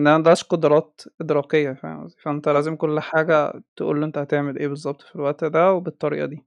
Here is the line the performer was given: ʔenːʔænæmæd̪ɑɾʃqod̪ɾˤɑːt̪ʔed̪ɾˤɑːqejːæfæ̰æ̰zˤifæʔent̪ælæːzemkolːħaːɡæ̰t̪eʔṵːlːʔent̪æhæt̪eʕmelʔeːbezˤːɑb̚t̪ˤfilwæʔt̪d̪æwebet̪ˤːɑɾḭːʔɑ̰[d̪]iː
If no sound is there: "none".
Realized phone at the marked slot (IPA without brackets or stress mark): d̪